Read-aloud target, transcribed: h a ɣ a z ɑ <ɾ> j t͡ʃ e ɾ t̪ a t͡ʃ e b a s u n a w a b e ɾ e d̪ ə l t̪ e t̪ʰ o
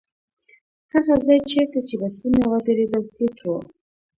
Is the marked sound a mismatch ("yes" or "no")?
yes